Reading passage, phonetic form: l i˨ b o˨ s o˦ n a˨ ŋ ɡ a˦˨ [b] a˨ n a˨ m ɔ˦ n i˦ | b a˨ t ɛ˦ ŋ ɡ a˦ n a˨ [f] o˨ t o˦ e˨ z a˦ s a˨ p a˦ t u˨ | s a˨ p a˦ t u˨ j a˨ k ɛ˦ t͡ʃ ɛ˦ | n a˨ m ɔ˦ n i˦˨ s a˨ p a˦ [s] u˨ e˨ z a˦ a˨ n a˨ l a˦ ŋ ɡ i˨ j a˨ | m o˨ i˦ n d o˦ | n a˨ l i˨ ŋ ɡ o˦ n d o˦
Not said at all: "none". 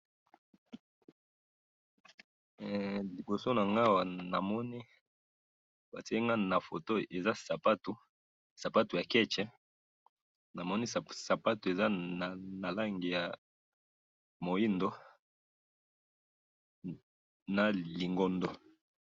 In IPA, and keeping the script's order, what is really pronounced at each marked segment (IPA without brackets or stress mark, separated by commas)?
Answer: w, f, t